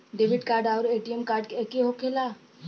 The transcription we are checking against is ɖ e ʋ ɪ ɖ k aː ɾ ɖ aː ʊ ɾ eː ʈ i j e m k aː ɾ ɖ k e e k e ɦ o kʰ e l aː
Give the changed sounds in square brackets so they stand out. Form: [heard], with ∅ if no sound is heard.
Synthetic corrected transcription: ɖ e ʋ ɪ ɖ k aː ɾ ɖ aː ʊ ɾ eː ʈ i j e m k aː ɾ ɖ k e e k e ɦ o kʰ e l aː

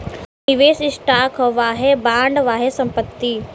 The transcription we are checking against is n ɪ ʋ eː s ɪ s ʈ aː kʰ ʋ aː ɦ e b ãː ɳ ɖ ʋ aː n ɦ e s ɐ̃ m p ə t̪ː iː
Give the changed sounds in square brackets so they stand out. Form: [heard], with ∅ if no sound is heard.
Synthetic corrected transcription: n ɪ ʋ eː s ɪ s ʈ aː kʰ ʋ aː ɦ e b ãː ɳ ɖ ʋ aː [∅] ɦ e s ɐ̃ m p ə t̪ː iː

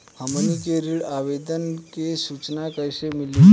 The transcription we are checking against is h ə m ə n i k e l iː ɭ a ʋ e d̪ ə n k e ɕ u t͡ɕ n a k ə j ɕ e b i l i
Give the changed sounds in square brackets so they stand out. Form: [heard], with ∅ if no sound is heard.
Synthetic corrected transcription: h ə m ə n i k e [ɾ] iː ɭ a ʋ e d̪ ə n k e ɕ u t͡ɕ n a k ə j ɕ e [m] i l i

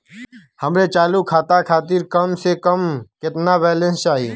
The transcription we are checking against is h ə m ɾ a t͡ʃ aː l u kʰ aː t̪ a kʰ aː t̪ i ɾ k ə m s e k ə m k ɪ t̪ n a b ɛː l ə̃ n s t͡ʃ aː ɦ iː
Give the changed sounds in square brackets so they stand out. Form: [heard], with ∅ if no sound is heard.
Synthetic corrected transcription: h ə m ɾ [e] t͡ʃ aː l u kʰ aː t̪ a kʰ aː t̪ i ɾ k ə m s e k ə m k ɪ t̪ n a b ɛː l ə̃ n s t͡ʃ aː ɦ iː

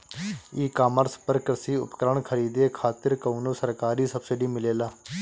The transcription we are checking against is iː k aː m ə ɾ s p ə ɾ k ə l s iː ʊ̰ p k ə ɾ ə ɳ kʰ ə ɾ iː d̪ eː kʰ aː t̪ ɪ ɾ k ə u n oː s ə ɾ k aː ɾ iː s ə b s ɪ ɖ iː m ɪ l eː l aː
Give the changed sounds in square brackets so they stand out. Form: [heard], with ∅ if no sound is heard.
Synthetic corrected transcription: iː k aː m ə ɾ s p ə ɾ k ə [ɾ] s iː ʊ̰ p k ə ɾ ə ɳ kʰ ə ɾ iː d̪ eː kʰ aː t̪ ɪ ɾ k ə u n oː s ə ɾ k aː ɾ iː s ə b s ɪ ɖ iː m ɪ l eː l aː

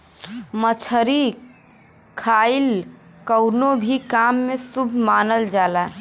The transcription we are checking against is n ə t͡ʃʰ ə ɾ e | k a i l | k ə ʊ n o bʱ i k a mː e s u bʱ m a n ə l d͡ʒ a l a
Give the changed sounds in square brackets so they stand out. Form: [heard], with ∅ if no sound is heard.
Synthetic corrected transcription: [m] ə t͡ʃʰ ə ɾ [i] | [kʰ] a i l | k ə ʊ n o bʱ i k a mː e s u bʱ m a n ə l d͡ʒ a l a

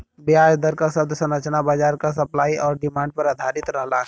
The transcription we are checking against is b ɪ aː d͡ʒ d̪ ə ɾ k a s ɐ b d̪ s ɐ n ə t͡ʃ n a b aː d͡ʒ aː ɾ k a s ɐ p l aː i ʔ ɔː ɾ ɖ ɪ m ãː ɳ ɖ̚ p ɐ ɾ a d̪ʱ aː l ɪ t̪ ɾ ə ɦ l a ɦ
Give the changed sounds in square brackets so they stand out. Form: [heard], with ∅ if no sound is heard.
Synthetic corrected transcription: b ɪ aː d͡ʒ d̪ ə ɾ k a s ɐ b d̪ s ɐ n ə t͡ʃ n a b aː d͡ʒ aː ɾ k a s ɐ p l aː i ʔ ɔː ɾ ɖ ɪ m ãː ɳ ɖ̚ p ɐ ɾ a d̪ʱ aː [ɾ] ɪ t̪ ɾ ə ɦ l a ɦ

